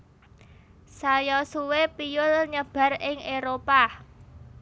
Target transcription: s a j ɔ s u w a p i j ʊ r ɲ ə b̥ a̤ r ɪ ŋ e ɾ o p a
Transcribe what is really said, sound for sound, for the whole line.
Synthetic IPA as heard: s a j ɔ s u w e p i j ʊ l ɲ ə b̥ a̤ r ɪ ŋ e ɾ o p a